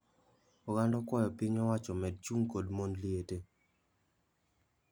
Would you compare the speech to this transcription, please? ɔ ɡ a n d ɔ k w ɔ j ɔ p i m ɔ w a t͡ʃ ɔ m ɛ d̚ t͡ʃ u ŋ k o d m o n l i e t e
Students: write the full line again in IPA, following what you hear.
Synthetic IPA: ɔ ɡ a n d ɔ k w ɔ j ɔ p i ɲ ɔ w a t͡ʃ ɔ m ɛ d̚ t͡ʃ u ŋ k o d m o n l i e t e